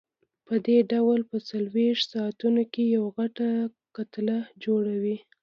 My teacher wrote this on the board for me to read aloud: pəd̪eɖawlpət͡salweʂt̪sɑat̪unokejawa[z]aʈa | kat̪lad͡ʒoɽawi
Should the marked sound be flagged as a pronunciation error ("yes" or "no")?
yes